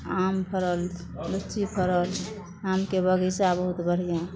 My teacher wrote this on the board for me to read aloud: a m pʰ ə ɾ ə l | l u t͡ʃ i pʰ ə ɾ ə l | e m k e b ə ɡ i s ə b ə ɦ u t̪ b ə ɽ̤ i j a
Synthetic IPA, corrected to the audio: a m pʰ ə ɾ ə l | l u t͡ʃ i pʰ ə ɾ ə l | a m k e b ə ɡ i s a b ə ɦ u t̪ b ə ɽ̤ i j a